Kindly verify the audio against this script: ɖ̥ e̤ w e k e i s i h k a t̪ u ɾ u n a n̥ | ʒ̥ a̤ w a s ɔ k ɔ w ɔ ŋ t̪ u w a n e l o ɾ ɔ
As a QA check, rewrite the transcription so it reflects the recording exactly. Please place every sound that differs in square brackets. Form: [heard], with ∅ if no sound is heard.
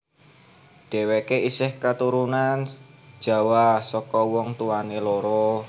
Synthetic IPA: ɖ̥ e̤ w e k e i s [ɪ] h k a t̪ u ɾ u n a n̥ | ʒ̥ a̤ w a s ɔ k ɔ w ɔ ŋ t̪ u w a n e l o ɾ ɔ